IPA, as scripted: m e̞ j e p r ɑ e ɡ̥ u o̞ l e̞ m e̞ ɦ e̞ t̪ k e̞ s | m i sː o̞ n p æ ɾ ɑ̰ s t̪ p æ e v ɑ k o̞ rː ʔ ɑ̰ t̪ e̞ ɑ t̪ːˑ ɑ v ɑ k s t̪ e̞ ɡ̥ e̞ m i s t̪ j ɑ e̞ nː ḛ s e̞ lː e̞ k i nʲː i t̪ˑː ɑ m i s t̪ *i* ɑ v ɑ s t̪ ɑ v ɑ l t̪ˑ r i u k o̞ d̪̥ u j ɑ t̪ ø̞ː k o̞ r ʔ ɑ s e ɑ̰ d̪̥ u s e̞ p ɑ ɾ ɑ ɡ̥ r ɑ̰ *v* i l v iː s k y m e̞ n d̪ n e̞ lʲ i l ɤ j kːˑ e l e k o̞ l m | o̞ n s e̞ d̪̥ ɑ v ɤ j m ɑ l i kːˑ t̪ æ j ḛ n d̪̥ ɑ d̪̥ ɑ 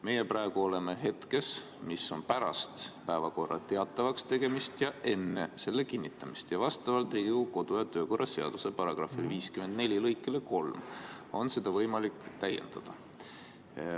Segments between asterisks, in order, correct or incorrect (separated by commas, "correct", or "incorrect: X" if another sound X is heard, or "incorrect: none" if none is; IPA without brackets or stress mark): incorrect: j, incorrect: f